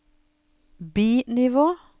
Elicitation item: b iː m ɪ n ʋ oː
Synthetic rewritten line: b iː n ɪ ʋ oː